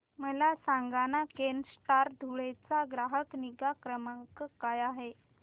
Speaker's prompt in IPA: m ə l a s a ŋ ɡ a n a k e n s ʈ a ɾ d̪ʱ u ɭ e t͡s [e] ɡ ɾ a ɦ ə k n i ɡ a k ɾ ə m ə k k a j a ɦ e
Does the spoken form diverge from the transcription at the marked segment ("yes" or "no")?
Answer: yes